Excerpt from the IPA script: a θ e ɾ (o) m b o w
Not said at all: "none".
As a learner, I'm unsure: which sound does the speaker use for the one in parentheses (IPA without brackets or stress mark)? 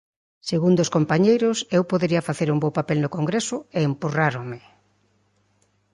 u